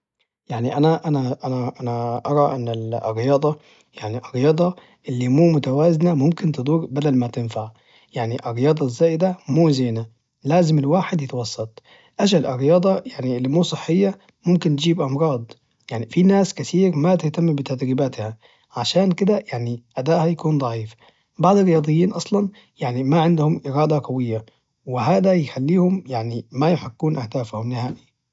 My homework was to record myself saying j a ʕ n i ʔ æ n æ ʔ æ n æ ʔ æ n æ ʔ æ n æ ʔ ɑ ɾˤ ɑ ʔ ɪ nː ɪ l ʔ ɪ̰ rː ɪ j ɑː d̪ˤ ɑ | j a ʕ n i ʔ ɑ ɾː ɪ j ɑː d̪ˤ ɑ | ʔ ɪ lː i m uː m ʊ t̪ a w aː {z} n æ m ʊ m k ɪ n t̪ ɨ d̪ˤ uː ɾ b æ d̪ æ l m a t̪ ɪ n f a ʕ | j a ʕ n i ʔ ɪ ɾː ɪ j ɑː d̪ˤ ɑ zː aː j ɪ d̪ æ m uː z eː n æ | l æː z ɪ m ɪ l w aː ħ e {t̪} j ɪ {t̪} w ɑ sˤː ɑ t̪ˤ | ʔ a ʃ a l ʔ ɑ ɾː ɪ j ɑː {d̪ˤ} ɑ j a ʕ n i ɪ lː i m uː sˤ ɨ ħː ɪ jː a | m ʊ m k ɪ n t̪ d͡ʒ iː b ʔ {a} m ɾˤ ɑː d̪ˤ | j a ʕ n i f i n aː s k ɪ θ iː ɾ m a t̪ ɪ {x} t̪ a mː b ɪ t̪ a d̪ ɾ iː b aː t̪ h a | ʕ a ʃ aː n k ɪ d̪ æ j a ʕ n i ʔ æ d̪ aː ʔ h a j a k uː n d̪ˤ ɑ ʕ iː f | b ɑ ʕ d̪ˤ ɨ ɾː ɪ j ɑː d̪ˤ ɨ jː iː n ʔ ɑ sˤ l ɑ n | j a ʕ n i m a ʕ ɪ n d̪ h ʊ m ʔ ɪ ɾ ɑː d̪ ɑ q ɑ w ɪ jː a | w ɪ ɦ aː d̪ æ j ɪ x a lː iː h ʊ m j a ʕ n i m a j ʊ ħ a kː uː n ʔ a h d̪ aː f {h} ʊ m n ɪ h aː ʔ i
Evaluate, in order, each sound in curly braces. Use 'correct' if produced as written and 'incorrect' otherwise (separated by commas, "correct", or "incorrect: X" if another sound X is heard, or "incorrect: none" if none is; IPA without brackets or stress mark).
correct, incorrect: d̪, correct, correct, incorrect: ɑ, incorrect: h, correct